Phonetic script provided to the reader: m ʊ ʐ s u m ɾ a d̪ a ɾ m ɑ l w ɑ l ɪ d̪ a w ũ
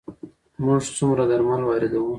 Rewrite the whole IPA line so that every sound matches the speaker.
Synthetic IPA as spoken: m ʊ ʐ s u m ɾ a d̪ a ɾ m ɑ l w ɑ ɾ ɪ d̪ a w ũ